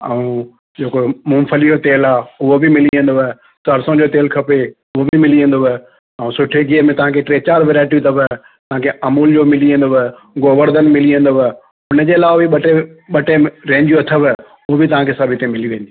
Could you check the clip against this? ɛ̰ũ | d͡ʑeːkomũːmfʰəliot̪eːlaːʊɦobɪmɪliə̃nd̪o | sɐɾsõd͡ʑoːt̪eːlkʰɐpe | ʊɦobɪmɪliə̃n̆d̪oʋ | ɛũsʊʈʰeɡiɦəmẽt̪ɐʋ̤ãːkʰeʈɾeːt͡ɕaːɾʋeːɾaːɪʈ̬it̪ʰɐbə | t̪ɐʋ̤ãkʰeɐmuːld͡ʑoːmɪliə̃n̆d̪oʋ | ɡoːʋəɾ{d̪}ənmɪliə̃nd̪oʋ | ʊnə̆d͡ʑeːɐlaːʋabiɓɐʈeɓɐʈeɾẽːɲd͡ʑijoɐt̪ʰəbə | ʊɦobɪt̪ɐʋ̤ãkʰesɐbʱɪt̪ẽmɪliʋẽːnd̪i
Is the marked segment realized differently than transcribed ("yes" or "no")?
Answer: no